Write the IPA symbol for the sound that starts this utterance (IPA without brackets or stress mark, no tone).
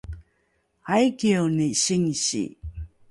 a